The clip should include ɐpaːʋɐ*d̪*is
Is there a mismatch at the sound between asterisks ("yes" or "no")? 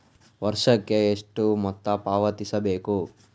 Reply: yes